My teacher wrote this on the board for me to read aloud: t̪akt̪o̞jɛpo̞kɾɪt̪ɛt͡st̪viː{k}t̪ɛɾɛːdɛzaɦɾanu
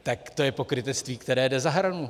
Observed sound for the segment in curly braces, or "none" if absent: k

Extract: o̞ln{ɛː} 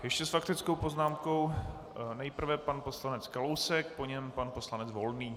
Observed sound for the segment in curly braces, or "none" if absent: iː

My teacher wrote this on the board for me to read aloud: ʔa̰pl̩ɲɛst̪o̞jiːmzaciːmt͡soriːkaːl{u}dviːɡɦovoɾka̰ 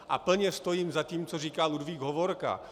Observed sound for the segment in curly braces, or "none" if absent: u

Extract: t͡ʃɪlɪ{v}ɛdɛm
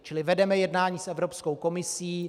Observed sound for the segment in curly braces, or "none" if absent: v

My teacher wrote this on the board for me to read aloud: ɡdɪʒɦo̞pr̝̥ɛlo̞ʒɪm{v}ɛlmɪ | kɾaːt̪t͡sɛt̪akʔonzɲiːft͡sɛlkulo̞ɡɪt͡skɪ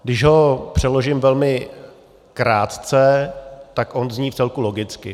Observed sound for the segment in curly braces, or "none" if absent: v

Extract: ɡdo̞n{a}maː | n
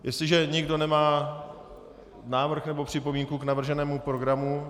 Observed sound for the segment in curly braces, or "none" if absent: ɛ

